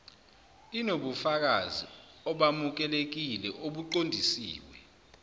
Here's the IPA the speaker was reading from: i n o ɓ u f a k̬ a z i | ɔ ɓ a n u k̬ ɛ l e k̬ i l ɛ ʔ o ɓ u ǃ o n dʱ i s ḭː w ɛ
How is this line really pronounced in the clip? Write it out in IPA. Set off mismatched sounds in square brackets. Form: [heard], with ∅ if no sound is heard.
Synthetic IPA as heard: i n o ɓ u f a k̬ a z i | ɔ ɓ a [m] u k̬ ɛ l e k̬ i l ɛ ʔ o ɓ u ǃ o n dʱ i s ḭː w ɛ